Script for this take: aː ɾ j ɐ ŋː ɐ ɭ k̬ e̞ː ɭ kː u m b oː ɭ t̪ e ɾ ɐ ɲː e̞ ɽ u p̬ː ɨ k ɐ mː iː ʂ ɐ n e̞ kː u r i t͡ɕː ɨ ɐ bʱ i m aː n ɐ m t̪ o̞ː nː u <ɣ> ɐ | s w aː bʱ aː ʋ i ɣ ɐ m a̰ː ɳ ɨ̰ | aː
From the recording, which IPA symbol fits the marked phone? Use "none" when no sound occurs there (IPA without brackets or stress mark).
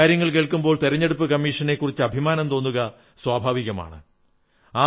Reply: ɣ